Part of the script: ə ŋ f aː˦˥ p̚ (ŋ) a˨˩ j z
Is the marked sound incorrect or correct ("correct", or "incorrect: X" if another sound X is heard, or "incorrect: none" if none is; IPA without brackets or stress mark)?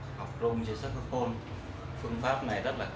incorrect: n